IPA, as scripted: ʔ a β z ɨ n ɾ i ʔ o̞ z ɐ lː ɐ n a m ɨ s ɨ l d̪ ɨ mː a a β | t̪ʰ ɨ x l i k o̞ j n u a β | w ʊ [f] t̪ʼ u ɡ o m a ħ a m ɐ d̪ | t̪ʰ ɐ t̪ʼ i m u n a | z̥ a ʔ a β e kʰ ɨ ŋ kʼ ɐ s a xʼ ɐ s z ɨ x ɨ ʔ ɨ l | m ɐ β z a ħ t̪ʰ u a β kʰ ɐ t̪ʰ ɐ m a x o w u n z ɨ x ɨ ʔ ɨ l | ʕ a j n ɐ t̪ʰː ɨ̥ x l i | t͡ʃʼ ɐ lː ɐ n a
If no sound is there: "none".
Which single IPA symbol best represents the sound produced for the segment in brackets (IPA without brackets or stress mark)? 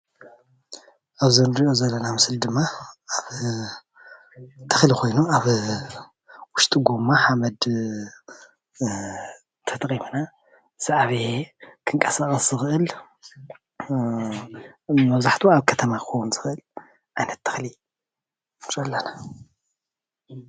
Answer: ʃ